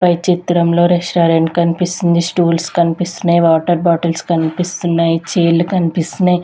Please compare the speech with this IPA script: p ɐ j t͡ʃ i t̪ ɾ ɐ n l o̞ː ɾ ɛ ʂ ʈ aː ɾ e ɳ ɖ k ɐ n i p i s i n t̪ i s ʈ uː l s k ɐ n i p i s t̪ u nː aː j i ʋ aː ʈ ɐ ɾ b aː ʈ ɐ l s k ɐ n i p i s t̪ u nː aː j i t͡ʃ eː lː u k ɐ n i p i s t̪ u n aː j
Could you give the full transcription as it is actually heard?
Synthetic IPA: p ɐ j t͡ʃ i t̪ ɾ ɐ m l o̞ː ɾ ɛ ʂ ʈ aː ɾ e ɳ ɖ k ɐ n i p i s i n d̪ i s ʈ uː l s k ɐ n i p i s t̪ u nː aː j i ʋ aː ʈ ɐ ɾ b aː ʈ ɐ l s k ɐ n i p i s t̪ u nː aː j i t͡ʃ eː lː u k ɐ n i p i s t̪ u n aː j